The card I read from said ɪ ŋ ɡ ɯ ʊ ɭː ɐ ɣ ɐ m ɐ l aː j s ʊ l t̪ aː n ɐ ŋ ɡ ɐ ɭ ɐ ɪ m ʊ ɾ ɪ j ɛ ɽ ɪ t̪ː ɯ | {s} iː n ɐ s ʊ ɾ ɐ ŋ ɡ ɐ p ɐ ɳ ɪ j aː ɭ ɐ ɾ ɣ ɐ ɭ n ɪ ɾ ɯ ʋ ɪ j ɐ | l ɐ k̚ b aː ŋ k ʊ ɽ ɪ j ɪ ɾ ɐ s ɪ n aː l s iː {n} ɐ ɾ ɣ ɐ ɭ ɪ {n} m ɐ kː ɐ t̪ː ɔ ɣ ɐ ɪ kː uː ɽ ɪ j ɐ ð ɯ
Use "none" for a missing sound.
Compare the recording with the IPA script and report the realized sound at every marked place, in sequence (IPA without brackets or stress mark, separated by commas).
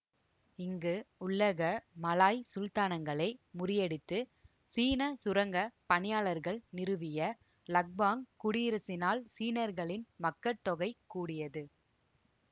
s, n, n